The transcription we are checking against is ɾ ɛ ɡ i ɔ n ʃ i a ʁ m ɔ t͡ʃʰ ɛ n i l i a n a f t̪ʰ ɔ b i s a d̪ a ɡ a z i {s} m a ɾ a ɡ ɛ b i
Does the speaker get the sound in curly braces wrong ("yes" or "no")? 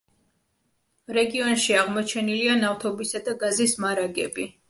no